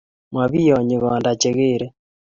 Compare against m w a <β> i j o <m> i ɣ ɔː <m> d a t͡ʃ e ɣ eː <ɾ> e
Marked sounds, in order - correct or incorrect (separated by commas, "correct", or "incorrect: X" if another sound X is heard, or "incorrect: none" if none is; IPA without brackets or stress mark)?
correct, incorrect: ɲ, incorrect: n, correct